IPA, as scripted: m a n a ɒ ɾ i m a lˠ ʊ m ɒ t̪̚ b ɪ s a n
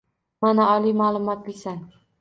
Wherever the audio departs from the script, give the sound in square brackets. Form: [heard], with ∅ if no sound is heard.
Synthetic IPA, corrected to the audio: m a n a ɒ [l] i m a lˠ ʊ m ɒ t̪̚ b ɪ s a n